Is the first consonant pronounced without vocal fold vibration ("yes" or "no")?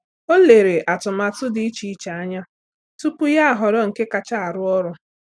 no